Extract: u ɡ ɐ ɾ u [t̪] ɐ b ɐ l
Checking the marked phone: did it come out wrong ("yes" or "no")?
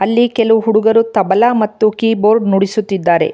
no